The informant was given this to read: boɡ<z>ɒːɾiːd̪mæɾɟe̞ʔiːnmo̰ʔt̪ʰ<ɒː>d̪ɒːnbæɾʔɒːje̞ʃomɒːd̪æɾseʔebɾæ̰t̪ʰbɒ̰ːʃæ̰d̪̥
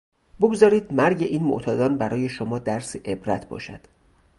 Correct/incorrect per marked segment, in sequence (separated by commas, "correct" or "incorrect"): correct, correct